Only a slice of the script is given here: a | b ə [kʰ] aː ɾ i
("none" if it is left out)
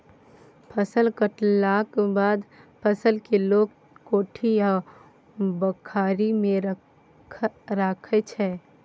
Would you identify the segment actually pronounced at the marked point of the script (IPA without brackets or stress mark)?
kʰ